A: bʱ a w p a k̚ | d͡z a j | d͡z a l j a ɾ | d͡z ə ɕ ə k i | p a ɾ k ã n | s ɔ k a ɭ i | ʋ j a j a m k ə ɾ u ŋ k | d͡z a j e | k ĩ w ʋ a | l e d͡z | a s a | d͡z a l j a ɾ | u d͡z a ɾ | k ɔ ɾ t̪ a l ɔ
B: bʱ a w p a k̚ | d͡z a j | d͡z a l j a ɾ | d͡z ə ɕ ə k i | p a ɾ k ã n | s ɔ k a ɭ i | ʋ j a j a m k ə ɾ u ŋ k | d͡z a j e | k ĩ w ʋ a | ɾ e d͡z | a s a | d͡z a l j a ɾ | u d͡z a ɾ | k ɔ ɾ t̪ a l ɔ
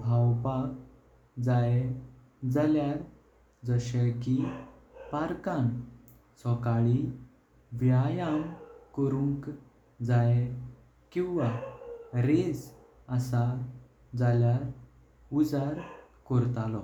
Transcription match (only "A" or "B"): B